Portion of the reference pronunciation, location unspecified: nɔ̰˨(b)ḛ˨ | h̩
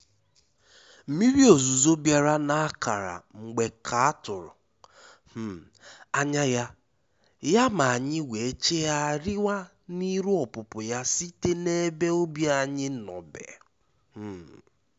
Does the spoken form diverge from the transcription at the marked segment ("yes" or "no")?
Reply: no